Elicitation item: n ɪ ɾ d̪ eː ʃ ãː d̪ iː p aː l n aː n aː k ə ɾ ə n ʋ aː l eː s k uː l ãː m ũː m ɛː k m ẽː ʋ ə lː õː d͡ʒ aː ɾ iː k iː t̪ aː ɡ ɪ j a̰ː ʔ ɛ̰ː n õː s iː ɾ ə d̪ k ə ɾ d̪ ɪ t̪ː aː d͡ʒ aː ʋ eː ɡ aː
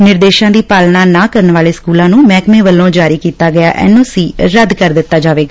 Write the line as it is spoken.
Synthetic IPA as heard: n ɪ ɾ d̪ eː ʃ ãː d̪ iː p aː l n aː n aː k ə ɾ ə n ʋ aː l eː s k uː l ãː n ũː m ɛː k m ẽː ʋ ə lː õː d͡ʒ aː ɾ iː k iː t̪ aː ɡ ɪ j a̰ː ʔ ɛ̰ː n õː s iː ɾ ə d̪ k ə ɾ d̪ ɪ t̪ː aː d͡ʒ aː ʋ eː ɡ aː